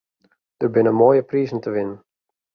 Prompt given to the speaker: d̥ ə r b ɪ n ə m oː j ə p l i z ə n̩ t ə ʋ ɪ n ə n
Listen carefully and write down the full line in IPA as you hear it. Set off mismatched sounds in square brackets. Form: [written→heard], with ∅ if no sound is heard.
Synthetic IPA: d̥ ə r b ɪ n ə m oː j ə p [l→r] i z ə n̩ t ə ʋ ɪ n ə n